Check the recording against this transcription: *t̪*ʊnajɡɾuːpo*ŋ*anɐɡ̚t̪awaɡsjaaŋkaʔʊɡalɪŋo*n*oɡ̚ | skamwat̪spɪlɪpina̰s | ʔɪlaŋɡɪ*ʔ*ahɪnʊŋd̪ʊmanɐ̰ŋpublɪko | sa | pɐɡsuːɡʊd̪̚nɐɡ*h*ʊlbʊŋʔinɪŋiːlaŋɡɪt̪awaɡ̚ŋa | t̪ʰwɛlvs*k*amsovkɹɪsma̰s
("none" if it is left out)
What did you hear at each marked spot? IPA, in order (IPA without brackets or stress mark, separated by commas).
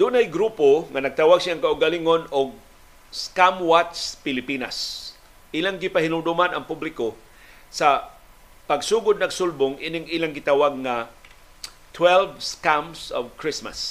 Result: d̪, ŋ, n, p, s, k